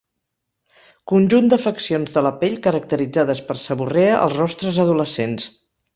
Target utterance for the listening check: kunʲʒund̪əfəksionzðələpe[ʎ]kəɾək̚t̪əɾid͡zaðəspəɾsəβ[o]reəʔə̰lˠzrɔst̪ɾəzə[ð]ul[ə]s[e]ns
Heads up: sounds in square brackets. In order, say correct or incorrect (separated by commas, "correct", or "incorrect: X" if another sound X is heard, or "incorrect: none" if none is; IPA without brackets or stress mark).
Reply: correct, incorrect: u, correct, correct, correct